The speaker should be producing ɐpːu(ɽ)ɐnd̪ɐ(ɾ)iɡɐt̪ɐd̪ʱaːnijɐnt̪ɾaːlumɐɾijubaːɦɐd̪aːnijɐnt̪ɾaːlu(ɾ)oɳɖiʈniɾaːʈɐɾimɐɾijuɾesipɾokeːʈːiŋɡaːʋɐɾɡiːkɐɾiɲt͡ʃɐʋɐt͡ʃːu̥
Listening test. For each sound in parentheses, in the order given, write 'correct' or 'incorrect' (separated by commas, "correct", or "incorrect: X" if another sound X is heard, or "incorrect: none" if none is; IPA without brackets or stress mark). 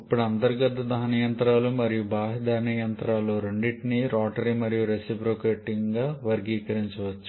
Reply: correct, correct, correct